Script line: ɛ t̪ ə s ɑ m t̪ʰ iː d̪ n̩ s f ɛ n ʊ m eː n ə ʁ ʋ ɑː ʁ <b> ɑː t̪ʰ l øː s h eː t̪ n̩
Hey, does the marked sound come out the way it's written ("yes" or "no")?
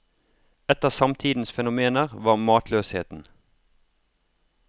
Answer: no